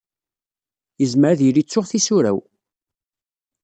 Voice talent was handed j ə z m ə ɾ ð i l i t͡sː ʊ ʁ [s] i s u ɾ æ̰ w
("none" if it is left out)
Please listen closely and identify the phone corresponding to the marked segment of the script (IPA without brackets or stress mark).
θ